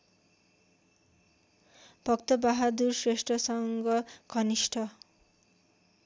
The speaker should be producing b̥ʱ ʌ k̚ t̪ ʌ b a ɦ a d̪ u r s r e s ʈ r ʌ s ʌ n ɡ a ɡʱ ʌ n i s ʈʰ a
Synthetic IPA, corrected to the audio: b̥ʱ ʌ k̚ t̪ ʌ b a ɦ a d̪ u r s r e s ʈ r ʌ s ʌ ŋ ɡ ʌ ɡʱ ʌ n i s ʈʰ ʌ